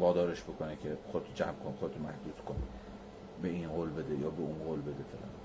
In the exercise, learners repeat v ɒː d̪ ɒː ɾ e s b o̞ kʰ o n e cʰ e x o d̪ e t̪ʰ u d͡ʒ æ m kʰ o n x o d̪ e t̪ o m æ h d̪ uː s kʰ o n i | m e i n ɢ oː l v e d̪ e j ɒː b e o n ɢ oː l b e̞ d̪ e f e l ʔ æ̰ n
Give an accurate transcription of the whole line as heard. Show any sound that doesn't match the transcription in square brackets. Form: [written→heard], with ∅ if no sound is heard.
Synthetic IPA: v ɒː d̪ ɒː ɾ e [s→ʃ] b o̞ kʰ o n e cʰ e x o d̪ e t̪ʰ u d͡ʒ æ m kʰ o n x o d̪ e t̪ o m æ h d̪ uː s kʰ o n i | [m→b] e i n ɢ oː l [v→b] e d̪ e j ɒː b e [o→u] n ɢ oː l b e̞ d̪ e f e l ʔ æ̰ n